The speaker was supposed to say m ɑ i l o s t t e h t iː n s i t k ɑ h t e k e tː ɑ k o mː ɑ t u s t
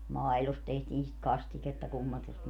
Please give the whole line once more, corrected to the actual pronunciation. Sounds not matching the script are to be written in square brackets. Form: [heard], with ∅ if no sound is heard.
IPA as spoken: m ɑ i l o s t t e h t iː n s i t k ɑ [s] t [i] k e tː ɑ k [u] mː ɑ t u s t